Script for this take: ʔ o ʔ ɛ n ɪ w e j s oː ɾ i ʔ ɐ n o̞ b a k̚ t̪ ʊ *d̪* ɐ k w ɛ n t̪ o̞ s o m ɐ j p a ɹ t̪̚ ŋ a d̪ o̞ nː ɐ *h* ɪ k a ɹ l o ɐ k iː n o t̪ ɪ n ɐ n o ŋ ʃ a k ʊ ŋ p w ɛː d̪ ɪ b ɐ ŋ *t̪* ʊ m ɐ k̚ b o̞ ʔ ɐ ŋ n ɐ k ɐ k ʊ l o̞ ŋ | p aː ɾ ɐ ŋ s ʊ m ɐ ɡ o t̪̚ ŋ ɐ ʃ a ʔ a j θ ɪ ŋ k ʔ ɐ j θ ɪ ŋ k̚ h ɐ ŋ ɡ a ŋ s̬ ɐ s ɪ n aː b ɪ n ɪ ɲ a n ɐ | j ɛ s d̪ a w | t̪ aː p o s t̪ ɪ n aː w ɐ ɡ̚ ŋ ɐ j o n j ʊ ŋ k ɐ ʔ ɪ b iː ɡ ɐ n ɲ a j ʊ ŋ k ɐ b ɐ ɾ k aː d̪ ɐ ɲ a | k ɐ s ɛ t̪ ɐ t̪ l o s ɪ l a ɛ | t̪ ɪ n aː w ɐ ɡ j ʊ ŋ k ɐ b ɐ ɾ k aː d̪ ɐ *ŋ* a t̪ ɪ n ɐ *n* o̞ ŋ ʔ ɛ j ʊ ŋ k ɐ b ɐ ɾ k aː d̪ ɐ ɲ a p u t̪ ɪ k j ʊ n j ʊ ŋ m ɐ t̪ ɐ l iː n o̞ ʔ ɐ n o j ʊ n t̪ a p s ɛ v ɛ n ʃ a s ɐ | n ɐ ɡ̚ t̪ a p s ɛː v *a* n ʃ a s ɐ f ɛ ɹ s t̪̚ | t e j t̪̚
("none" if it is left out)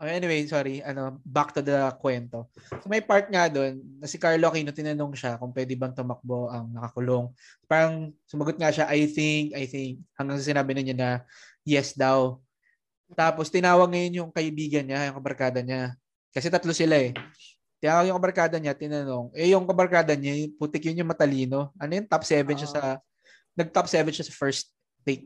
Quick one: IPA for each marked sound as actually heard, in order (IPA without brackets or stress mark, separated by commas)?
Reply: d̪, s, t̪, ɲ, n, ɛ